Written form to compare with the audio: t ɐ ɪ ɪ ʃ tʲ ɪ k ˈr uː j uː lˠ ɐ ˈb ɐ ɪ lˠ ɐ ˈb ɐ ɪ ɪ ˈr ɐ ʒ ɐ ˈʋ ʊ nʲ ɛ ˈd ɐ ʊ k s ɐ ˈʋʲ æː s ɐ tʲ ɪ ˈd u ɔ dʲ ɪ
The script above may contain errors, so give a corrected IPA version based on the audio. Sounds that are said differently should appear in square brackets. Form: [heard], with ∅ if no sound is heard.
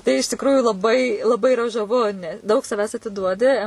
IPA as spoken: t ɐ ɪ ɪ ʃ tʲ ɪ k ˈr uː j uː lˠ ɐ ˈb ɐ ɪ lˠ ɐ ˈb ɐ ɪ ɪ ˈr ɐ ʒ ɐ ˈʋ ʊ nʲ ɛ ˈd ɐ ʊ k s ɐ ˈʋʲ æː s ɐ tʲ ɪ ˈd u ɔ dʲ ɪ